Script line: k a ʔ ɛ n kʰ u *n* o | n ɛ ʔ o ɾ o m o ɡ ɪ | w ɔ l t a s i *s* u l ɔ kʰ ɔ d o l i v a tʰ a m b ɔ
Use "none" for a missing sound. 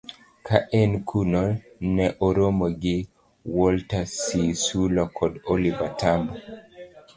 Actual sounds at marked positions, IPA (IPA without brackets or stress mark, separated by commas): n, s